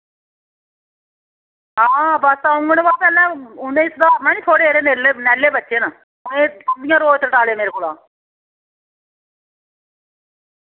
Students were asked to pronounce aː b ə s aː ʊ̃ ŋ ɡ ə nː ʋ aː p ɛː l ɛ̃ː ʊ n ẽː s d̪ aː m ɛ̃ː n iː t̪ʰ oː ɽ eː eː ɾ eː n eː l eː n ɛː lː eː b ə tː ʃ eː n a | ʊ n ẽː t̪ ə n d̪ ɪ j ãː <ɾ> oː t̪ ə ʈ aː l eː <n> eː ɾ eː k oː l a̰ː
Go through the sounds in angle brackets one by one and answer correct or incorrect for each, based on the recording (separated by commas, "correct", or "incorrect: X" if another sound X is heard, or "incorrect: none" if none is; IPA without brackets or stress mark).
correct, incorrect: m